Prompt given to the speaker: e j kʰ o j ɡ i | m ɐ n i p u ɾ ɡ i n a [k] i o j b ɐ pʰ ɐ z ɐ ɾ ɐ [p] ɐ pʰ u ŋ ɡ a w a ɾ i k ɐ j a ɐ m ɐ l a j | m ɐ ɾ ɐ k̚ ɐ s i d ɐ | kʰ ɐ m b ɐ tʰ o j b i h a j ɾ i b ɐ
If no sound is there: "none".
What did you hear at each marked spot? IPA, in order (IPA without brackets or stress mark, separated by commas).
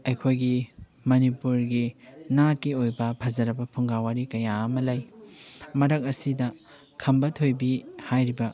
k, b